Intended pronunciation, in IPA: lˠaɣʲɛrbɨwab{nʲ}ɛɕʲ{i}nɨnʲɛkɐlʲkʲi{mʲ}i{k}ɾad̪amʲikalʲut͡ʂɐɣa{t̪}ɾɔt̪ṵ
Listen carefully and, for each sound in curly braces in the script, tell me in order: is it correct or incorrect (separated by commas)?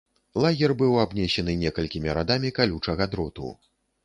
correct, incorrect, correct, incorrect, incorrect